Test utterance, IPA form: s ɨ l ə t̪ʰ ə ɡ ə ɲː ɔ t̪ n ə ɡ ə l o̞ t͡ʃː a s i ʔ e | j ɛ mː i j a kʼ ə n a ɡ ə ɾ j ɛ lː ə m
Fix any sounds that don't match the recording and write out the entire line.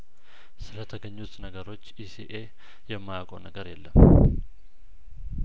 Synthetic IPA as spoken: s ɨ l ə t̪ʰ ə ɡ ə ɲː u t̪ n ə ɡ ə ɾ o̞ t͡ʃː i s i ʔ e | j ɛ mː a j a kʼ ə n ə ɡ ə ɾ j ɛ lː ə m